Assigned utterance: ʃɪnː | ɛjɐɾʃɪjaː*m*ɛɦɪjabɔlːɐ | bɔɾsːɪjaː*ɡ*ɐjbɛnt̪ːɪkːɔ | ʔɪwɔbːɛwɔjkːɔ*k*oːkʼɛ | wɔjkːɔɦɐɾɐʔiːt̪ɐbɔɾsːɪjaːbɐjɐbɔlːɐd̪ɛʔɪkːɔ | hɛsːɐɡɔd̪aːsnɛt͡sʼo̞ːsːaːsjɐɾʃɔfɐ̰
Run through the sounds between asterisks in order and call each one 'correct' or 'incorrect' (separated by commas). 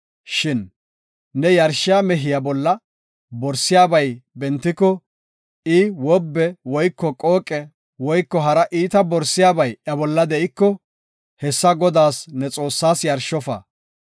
correct, incorrect, incorrect